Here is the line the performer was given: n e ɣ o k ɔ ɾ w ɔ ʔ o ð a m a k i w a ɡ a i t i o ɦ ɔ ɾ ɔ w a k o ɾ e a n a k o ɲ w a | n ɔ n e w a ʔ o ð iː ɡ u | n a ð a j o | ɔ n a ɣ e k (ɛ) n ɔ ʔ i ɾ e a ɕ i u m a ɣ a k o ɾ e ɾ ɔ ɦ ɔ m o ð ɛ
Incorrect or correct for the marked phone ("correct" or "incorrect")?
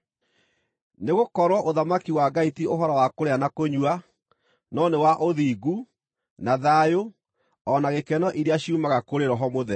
correct